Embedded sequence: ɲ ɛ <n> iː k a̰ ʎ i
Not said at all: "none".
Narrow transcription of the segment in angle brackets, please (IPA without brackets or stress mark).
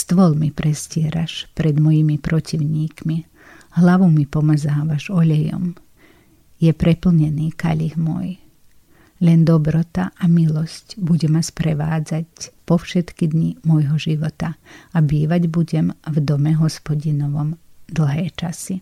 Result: n